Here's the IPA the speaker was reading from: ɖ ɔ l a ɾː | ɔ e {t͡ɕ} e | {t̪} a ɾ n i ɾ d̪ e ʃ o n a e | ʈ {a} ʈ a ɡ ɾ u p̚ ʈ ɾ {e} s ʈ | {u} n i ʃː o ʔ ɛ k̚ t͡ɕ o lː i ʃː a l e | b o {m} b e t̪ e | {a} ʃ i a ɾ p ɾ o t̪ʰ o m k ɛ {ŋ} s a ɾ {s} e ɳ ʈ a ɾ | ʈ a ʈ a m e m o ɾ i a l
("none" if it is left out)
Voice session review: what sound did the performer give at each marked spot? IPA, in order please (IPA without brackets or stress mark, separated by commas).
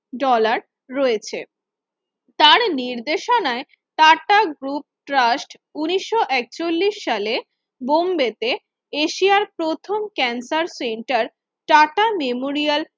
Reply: t͡ɕʰ, t̪, a, a, u, m, e, n, s